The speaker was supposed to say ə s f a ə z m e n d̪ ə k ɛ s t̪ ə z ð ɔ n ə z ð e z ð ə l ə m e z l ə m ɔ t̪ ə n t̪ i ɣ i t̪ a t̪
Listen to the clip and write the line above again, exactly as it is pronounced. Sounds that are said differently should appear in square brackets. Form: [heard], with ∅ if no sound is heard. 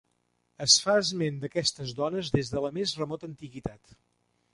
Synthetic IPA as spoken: ə s f a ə z m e n d̪ ə k ɛ s t̪ ə z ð ɔ n ə z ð e z ð ə l ə m e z [r] ə m ɔ t̪ ə n t̪ i ɣ i t̪ a t̪